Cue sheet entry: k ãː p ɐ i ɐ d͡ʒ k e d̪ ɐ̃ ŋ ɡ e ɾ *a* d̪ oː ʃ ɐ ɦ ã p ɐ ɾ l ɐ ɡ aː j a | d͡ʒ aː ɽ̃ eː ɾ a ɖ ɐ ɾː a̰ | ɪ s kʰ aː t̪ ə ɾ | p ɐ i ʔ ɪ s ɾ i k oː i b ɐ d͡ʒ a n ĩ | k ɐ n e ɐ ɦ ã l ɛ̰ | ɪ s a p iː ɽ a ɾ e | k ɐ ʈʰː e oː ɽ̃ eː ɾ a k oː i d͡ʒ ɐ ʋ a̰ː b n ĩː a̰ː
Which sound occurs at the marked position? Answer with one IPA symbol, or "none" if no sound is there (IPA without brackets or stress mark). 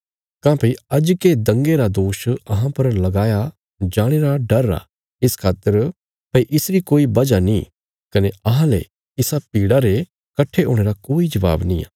a